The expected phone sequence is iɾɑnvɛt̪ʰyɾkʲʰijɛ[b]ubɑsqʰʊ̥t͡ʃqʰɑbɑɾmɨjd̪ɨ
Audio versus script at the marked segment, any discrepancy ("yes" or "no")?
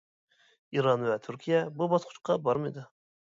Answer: no